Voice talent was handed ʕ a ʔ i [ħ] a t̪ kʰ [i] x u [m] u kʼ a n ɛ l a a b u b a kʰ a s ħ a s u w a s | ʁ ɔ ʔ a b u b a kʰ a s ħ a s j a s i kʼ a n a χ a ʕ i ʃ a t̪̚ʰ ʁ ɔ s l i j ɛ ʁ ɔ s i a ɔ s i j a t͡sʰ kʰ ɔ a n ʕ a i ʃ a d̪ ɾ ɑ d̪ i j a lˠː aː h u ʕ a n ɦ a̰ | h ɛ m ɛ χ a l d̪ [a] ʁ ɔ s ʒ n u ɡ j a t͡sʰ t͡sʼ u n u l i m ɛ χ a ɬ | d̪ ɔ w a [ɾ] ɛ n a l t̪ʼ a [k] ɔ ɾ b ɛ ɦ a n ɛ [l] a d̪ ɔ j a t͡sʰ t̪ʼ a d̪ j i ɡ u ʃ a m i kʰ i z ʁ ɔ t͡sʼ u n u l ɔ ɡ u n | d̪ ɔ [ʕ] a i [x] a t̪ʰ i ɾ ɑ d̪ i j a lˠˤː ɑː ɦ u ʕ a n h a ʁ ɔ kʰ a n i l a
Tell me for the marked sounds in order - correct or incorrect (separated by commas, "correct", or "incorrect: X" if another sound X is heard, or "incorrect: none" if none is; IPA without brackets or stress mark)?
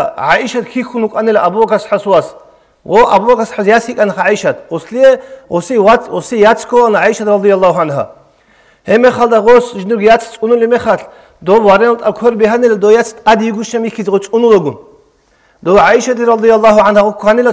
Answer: incorrect: ʃ, correct, incorrect: n, correct, correct, incorrect: kʰ, correct, correct, incorrect: ʃ